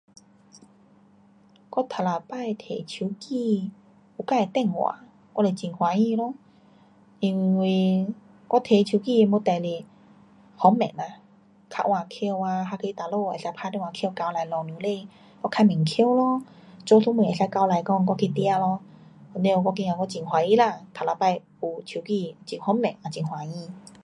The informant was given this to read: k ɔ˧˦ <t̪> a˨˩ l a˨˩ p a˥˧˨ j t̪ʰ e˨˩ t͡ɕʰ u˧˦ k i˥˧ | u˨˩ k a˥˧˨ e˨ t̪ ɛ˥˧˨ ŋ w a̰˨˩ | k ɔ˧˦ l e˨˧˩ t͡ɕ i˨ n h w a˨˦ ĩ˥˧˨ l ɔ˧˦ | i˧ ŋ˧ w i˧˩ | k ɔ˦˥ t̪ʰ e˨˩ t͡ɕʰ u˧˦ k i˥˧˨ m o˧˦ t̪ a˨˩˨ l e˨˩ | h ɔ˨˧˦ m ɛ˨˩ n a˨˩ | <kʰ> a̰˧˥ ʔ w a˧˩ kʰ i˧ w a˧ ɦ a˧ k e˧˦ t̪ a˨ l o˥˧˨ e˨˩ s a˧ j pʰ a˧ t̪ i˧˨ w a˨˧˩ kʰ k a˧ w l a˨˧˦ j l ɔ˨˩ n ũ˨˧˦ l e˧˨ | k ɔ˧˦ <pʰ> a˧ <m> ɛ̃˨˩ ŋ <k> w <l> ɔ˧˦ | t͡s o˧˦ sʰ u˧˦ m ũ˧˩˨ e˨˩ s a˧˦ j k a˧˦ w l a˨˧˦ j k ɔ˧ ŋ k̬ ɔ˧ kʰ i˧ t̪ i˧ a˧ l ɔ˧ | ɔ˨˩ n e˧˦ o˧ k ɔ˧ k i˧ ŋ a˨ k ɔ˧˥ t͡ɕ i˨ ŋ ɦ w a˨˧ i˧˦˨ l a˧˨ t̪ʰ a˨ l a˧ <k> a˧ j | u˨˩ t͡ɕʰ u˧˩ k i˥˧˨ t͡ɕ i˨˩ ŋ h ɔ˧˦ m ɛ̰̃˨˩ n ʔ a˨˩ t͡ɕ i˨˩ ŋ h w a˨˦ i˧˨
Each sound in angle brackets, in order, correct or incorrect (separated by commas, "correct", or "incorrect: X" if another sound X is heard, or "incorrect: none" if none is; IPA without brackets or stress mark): incorrect: t̪ʰ, correct, incorrect: kʰ, correct, incorrect: kʰ, correct, incorrect: p